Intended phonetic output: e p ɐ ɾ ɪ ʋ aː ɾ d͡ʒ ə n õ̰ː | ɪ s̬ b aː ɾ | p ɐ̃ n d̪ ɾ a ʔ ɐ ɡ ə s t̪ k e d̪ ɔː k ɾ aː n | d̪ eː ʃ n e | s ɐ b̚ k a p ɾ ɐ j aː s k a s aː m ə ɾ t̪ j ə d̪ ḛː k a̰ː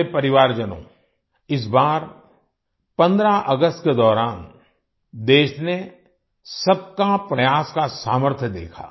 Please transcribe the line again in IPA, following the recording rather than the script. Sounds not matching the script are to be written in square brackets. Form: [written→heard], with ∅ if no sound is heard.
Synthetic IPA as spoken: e p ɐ ɾ ɪ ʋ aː ɾ d͡ʒ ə n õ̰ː | ɪ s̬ b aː ɾ | p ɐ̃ n d̪ ɾ a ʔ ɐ ɡ ə s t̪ k e d̪ ɔː [k→∅] ɾ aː n | d̪ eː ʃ n e | s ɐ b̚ k a p ɾ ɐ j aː s k a s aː m ə ɾ [t̪→t̪ʰ] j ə d̪ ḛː [k→kʰ] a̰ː